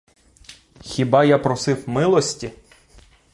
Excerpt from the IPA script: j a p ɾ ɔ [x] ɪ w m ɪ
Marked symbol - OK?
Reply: no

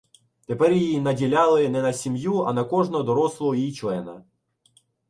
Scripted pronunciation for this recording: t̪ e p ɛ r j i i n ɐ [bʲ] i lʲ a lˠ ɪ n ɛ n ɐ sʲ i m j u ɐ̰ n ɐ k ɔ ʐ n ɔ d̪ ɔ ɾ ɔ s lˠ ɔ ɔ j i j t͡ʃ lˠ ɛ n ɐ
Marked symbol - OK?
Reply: no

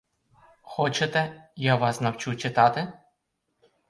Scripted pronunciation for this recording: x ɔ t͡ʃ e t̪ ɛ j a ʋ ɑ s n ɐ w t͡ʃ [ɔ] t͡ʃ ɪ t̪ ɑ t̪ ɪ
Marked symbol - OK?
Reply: no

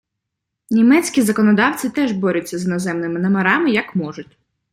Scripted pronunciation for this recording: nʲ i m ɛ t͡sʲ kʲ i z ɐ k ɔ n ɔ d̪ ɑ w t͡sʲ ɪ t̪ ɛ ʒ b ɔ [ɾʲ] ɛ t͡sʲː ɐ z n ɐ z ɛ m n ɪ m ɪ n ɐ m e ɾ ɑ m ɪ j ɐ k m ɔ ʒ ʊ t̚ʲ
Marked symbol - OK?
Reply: yes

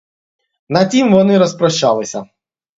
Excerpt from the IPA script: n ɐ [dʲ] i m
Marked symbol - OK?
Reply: no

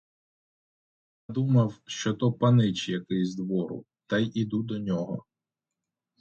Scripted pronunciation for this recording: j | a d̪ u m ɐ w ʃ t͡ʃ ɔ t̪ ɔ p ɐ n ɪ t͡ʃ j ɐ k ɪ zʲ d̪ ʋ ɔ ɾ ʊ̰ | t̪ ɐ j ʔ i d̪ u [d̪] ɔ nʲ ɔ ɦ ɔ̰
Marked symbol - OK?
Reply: yes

